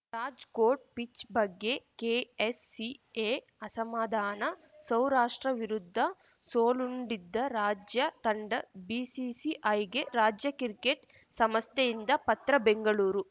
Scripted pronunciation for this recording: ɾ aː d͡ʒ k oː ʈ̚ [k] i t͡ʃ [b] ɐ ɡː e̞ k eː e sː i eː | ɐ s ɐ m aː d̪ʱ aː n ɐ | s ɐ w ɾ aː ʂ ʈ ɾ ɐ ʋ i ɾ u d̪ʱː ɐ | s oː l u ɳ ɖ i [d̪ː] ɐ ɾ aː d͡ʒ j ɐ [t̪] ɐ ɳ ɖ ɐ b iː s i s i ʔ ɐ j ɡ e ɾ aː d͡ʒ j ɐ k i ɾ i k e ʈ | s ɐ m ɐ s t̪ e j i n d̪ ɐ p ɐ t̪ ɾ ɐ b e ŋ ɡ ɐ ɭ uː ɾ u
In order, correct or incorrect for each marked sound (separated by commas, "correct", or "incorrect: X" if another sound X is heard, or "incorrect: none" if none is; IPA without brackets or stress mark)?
incorrect: p, correct, correct, correct